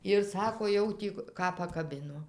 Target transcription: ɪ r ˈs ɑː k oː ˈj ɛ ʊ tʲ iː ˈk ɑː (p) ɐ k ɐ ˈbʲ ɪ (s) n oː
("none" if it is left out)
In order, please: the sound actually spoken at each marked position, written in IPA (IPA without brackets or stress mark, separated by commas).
p, none